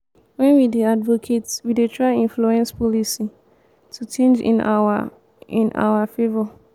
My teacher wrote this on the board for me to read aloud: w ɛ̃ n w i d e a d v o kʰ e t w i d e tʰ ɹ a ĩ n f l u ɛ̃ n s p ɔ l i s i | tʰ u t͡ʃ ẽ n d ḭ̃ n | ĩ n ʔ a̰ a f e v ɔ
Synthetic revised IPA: w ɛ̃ n w i d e a d v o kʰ e t w i d e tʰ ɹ a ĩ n f l u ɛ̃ n s p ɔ l i s i | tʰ u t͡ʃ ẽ n d͡ʒ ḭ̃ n | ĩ n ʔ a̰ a f e v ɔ